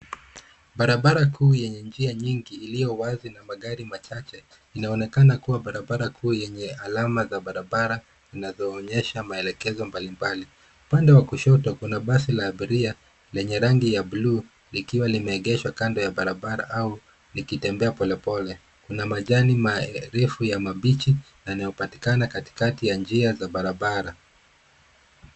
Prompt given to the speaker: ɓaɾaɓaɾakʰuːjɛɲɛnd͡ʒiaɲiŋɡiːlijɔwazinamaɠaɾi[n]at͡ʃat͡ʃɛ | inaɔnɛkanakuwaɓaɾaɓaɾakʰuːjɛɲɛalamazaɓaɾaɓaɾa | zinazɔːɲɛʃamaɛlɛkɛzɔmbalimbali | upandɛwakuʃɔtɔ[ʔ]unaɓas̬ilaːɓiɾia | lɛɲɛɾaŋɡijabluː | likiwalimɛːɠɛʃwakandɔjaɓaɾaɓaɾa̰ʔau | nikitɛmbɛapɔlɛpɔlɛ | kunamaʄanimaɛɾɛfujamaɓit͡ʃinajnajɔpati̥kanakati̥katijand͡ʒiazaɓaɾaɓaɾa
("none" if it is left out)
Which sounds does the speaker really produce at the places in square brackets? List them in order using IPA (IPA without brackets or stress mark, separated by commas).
m, k